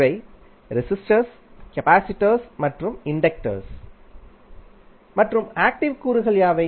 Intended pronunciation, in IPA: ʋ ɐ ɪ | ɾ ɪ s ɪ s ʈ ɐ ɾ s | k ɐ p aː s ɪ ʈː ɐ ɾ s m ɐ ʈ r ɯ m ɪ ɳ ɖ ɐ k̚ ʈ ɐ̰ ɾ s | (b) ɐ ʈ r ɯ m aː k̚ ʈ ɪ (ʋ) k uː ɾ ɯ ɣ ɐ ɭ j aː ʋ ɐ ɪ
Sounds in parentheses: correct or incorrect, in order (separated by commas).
incorrect, correct